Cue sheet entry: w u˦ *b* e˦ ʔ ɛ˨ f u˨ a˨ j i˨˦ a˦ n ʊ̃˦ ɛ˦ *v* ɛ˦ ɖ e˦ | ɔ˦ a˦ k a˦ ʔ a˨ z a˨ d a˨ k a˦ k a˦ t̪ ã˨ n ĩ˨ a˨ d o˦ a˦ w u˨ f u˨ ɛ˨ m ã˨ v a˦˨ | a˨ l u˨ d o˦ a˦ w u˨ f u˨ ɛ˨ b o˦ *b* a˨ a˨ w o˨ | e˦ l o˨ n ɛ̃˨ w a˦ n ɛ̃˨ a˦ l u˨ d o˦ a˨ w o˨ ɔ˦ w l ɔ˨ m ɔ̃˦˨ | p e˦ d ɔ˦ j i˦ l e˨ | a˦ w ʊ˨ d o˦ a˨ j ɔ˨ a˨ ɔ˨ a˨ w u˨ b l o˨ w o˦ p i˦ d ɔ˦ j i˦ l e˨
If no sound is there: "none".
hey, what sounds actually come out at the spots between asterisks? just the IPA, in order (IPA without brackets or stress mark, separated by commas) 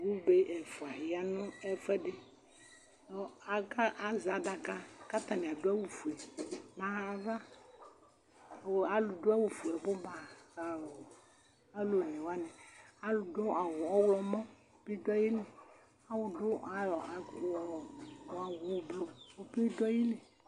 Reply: b, f, b